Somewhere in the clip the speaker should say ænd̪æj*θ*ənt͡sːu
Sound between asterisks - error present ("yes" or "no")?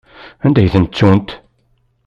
no